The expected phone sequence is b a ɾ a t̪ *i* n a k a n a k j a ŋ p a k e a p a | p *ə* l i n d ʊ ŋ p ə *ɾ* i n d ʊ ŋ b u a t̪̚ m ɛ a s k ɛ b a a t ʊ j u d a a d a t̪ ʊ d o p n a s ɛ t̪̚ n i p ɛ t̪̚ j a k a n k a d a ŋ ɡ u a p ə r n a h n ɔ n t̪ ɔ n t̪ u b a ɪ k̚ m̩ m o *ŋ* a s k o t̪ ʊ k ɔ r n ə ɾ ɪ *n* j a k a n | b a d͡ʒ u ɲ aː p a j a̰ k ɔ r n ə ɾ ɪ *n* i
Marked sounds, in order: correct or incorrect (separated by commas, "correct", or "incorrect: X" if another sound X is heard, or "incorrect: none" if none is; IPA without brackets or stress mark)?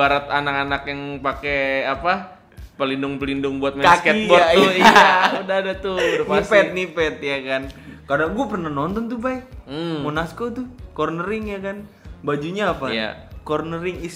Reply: incorrect: a, correct, incorrect: l, incorrect: n, incorrect: ŋ, incorrect: ŋ